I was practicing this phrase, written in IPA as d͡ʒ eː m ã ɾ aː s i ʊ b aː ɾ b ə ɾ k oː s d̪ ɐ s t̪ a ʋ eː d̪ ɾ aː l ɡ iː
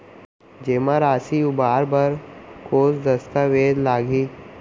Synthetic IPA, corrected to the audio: d͡ʒ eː m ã ɾ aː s i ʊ b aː ɾ b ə ɾ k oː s d̪ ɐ s t̪ a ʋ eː d̪ l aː ɡ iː